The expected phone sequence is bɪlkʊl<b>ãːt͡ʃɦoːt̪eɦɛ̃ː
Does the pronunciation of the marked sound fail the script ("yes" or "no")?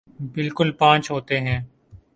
yes